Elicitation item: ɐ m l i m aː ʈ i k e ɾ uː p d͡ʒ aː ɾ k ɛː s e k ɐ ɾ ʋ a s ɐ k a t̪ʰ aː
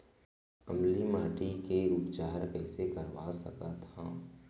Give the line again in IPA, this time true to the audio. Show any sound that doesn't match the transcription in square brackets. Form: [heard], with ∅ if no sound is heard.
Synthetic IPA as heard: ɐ m l i m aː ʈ i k e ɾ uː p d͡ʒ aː ɾ k ɛː s e k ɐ ɾ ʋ a s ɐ k a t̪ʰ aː